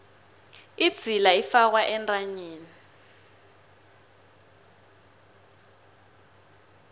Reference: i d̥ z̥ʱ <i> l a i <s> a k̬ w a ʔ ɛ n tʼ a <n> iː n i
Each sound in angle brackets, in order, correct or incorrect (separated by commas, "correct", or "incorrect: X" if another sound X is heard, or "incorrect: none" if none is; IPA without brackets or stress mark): correct, incorrect: f, incorrect: ɲ